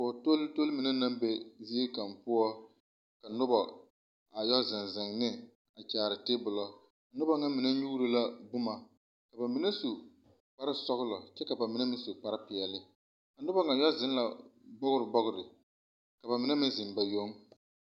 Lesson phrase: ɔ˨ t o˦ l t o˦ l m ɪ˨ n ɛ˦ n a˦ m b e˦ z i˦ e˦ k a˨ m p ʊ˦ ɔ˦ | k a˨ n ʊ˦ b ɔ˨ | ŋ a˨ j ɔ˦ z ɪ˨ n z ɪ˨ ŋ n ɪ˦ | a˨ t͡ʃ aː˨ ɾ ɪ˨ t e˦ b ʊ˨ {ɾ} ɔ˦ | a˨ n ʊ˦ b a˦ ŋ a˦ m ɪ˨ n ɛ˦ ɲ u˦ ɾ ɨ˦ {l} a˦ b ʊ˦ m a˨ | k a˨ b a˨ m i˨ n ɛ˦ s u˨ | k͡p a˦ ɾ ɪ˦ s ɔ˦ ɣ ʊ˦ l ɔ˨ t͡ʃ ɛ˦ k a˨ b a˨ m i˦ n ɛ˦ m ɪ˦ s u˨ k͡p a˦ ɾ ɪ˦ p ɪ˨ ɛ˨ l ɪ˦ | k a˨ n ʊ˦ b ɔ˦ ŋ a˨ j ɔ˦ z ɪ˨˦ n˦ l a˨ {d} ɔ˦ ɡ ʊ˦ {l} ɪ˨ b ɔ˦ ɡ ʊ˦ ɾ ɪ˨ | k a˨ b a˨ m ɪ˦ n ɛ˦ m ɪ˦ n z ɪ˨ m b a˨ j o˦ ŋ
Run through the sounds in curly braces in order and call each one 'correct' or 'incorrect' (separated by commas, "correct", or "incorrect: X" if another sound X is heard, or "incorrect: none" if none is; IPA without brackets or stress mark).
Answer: incorrect: l, correct, incorrect: b, incorrect: ɾ